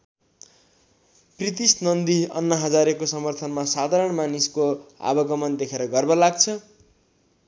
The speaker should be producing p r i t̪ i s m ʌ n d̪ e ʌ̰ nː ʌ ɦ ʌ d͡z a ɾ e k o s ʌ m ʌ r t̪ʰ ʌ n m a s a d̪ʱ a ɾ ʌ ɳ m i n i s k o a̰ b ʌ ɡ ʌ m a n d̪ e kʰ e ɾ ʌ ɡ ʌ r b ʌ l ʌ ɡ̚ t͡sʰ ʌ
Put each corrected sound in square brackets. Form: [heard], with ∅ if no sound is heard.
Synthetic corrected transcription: p r i t̪ i s [n] ʌ n d̪ [i] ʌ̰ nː ʌ ɦ ʌ d͡z a ɾ e k o s ʌ m ʌ r t̪ʰ ʌ n m a s a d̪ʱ a ɾ ʌ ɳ m [a] n i s k o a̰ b ʌ ɡ ʌ m [ʌ] n d̪ e kʰ e ɾ ʌ ɡ ʌ r b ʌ l [a] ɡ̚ t͡sʰ ʌ